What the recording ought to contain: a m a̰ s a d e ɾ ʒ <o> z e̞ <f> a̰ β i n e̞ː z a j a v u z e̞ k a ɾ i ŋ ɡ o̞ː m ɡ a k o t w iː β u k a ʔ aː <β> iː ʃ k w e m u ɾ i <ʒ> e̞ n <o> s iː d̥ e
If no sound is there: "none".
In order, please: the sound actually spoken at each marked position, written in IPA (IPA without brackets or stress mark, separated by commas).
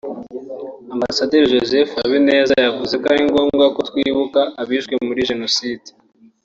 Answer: o, f, β, ʒ, o